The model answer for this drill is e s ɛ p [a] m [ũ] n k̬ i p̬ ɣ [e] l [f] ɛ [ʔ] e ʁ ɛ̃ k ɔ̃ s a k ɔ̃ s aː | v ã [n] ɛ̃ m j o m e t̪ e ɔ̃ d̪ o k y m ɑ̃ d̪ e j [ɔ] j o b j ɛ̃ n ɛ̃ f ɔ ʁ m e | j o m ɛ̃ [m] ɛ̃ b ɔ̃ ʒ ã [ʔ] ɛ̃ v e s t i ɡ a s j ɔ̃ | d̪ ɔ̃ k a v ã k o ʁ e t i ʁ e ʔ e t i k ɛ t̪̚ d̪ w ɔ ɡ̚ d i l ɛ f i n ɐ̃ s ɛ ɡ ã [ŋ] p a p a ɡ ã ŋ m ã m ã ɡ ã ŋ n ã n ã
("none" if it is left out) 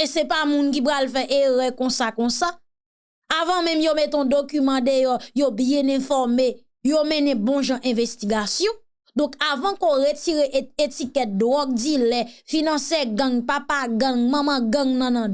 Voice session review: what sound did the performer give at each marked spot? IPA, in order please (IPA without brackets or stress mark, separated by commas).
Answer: a, ũ, a, f, ʔ, m, ɔ, n, ʔ, ŋ